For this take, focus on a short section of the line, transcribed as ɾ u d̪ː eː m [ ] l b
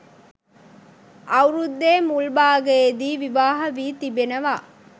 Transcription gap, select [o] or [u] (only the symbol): u